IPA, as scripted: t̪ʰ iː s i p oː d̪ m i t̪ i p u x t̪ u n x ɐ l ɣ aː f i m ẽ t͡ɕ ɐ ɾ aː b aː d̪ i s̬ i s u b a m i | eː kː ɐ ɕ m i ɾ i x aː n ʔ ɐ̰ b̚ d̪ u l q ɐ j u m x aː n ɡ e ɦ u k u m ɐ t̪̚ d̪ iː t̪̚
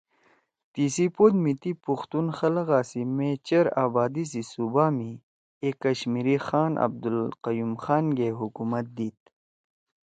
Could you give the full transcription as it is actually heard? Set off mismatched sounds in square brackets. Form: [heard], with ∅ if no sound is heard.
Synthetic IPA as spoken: [t̪] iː s i p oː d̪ m i t̪ i p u x t̪ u n x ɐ l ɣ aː [s] i m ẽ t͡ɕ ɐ ɾ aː b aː d̪ i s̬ i s u b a m i | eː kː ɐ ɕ m i ɾ i x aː n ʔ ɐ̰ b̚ d̪ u l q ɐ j u m x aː n ɡ e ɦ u k u m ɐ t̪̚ d̪ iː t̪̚